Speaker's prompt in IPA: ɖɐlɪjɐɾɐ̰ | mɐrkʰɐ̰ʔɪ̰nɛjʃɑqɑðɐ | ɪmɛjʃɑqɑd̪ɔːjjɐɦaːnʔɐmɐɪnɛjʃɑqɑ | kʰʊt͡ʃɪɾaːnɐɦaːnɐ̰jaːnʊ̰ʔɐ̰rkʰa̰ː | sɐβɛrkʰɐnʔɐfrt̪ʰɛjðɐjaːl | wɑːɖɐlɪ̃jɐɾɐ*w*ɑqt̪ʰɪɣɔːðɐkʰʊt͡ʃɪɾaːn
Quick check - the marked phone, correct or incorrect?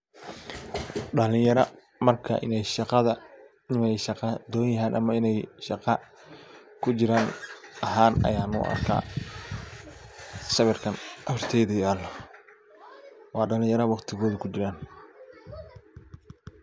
correct